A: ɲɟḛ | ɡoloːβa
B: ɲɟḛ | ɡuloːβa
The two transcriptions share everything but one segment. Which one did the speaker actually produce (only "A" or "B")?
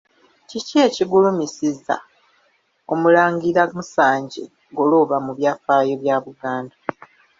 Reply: A